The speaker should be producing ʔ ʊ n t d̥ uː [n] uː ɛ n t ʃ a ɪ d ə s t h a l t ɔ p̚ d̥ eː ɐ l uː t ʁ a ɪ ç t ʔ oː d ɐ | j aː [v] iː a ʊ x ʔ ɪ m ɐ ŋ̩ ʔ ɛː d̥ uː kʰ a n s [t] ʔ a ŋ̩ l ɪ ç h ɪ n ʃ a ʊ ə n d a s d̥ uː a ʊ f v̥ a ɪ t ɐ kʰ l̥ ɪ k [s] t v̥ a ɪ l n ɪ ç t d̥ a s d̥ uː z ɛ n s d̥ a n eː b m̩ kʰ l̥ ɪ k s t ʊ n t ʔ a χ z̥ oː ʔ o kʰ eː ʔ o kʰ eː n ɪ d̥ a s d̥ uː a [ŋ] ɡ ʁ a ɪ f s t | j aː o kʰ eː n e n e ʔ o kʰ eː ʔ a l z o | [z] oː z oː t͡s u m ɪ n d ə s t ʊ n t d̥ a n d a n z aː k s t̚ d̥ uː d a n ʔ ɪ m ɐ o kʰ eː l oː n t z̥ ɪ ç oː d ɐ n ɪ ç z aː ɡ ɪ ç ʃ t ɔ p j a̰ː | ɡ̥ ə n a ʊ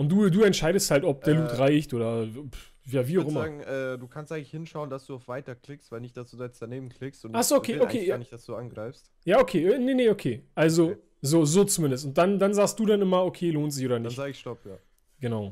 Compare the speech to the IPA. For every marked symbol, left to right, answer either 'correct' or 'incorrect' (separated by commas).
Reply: incorrect, correct, correct, correct, incorrect, correct